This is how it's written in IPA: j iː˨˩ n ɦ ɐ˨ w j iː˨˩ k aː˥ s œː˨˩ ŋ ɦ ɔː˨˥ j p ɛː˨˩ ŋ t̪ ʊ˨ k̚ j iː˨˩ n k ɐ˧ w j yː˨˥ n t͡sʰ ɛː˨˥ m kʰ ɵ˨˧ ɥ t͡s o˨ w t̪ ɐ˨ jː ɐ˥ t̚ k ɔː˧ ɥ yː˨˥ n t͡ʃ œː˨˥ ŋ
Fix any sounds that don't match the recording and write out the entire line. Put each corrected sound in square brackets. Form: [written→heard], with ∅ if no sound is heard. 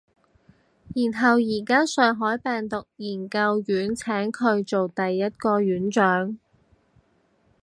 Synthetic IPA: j iː˨˩ n ɦ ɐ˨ w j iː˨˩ k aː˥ s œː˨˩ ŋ ɦ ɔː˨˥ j p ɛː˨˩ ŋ t̪ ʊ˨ k̚ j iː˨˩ n k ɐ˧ w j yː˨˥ n t͡sʰ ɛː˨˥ [m→ŋ] kʰ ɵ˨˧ ɥ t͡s o˨ w t̪ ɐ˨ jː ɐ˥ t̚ k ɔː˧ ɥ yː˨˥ n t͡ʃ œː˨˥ ŋ